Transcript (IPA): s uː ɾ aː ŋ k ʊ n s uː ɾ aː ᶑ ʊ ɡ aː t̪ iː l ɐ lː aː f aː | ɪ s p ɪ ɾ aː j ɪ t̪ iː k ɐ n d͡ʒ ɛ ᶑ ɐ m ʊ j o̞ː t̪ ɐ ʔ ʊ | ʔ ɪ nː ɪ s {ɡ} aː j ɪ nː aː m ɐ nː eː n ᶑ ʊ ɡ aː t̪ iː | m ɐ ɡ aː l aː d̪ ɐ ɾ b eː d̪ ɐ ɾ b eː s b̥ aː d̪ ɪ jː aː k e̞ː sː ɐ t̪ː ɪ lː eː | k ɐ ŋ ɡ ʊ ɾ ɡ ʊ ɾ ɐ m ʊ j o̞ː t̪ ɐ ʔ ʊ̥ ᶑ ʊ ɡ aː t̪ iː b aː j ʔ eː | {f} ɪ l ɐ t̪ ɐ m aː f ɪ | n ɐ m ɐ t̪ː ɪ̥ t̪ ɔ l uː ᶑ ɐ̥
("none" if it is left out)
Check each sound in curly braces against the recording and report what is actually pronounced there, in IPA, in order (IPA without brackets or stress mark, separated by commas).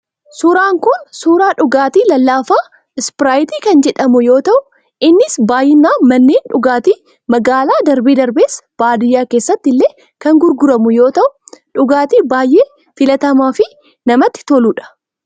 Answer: b, f